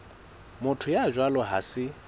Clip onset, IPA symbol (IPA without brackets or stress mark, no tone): m